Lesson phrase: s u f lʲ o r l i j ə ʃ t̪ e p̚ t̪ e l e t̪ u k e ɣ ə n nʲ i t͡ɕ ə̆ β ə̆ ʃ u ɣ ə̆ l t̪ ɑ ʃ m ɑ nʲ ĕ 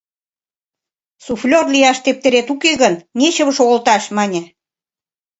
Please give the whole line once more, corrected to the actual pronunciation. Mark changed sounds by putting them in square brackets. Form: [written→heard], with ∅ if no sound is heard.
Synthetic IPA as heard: s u f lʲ o r l i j [ə→ɑ] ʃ t̪ e p̚ t̪ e [l→ɾ] e t̪ u k e ɣ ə n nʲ [i→e] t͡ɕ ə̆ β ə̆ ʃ [u→o] ɣ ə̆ l t̪ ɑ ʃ m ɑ nʲ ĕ